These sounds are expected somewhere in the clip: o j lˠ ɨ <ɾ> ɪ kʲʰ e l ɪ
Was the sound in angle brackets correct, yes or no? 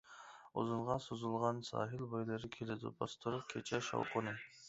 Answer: yes